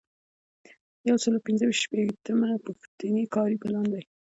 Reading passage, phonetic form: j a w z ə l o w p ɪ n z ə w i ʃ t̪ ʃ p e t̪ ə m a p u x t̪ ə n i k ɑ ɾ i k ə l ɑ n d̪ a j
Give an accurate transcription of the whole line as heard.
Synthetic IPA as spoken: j a w s ə l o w p ɪ n z ə w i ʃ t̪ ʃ p e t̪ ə m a p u x t̪ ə n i k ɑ ɾ i p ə l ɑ n d̪ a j